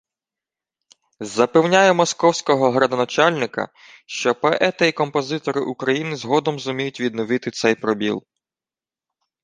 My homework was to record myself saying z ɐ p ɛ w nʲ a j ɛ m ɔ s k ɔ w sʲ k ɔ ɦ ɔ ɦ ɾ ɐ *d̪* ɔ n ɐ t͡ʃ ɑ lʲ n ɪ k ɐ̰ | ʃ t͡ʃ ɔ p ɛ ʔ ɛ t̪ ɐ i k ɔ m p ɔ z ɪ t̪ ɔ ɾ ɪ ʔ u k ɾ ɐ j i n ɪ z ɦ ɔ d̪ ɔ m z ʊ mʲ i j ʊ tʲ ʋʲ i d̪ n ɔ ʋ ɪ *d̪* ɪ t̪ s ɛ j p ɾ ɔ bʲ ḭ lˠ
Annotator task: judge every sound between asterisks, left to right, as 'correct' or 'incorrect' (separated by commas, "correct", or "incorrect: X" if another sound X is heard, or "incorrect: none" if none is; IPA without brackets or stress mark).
correct, incorrect: t̪